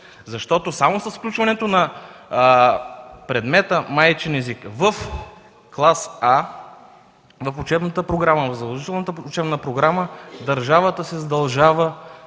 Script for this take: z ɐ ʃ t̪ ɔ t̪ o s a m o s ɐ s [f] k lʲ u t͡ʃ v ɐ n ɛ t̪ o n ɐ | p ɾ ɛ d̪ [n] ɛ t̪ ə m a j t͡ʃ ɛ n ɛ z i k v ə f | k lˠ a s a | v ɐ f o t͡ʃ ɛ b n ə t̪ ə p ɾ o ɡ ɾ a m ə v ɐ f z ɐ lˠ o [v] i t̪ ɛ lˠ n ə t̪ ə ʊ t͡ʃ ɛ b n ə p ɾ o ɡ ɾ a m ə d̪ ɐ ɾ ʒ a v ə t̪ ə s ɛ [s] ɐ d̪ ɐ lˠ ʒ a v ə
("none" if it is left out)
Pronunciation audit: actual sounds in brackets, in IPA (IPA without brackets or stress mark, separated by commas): f, m, ʒ, z